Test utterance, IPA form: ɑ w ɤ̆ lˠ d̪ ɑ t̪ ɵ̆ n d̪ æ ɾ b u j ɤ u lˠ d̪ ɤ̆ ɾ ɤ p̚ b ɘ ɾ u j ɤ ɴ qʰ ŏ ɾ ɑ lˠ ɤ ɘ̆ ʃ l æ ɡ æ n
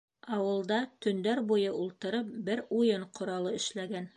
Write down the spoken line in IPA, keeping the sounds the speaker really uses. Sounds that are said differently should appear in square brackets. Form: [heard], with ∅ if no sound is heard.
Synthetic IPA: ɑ w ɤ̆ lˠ d̪ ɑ t̪ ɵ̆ n d̪ æ ɾ b u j ɤ u lˠ [t̪] ɤ̆ ɾ ɤ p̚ b ɘ ɾ u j ɤ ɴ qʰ ŏ ɾ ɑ lˠ ɤ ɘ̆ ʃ l æ ɡ æ n